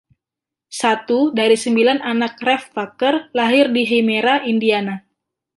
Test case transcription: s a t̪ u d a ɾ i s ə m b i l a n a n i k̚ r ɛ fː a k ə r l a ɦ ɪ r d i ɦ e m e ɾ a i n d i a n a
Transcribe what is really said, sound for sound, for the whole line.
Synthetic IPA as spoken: s a t̪ u d a ɾ i s ə m b i l a n a n a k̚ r ɛ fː a k ə r l a ɦ ɪ r d i ɦ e m e ɾ a i n d i a n a